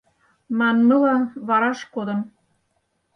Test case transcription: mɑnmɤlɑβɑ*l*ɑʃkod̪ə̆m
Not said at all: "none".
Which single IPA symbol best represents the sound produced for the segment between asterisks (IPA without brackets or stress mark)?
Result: ɾ